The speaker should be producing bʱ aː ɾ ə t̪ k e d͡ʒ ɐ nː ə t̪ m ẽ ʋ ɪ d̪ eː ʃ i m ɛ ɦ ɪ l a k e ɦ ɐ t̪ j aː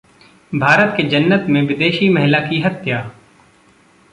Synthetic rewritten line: bʱ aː ɾ ə t̪ k e d͡ʒ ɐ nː ə t̪ m ẽ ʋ ɪ d̪ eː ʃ i m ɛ ɦ ɪ l a k i ɦ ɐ t̪ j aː